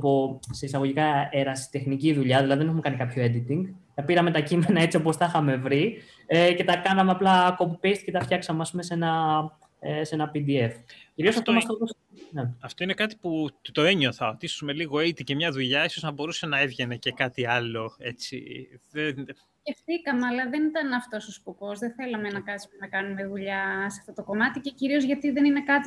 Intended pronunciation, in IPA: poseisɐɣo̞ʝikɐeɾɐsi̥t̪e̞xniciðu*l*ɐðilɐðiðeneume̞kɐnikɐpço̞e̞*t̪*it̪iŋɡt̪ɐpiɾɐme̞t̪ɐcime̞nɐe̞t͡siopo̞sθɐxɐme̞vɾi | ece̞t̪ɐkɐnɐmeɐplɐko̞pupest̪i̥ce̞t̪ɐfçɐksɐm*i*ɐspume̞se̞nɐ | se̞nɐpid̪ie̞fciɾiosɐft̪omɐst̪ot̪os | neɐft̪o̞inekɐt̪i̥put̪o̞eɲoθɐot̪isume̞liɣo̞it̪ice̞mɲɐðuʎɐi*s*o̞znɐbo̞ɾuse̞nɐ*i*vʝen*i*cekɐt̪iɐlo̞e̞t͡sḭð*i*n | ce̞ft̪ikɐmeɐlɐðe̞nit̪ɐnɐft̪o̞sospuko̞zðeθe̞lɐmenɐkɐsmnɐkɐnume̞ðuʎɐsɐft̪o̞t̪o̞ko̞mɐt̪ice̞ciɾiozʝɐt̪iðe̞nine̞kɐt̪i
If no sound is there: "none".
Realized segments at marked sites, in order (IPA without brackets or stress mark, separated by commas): ʎ, d̪, e, s, e, e, e